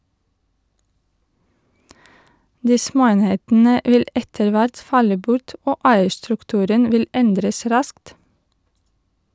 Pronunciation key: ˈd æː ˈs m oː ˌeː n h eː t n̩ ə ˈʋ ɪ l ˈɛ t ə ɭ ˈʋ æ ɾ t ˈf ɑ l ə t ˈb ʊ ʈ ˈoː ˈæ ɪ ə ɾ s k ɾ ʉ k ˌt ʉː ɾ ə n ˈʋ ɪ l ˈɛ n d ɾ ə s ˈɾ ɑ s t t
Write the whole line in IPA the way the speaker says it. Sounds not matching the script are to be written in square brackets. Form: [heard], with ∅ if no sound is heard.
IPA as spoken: ˈd [iː] ˈs m oː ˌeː n h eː t n̩ ə ˈʋ ɪ l ˈɛ t ə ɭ ˈʋ æ ɾ t ˈf ɑ l ə [∅] ˈb ʊ ʈ ˈoː ˈæ ɪ ə ɾ s [t] ɾ ʉ k ˌt ʉː ɾ ə n ˈʋ ɪ l ˈɛ n d ɾ ə s ˈɾ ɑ s [k] t